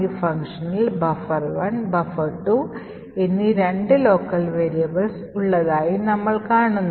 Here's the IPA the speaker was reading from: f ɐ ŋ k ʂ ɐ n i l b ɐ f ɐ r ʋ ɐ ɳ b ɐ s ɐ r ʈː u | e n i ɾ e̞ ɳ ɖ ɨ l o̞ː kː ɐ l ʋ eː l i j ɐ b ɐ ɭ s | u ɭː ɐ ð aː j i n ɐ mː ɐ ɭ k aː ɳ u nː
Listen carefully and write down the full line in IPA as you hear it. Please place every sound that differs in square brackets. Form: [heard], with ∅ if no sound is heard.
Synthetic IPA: f ɐ ŋ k ʂ ɐ n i l b ɐ f ɐ r ʋ ɐ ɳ b ɐ [f] ɐ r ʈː u | e [nː] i ɾ e̞ ɳ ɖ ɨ l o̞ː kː ɐ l ʋ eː [ɾ] i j ɐ b ɐ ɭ s | u ɭː ɐ ð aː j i n ɐ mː ɐ ɭ k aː ɳ u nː